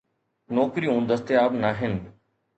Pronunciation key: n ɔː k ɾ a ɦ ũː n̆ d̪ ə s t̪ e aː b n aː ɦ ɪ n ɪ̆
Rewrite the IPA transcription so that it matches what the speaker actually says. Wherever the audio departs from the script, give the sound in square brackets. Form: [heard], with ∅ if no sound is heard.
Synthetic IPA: n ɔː k ɾ [i] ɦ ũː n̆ d̪ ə s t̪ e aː b n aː ɦ ɪ n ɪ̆